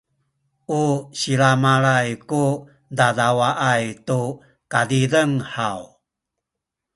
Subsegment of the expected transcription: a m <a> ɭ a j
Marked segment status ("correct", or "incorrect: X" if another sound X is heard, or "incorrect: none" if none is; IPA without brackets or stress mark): correct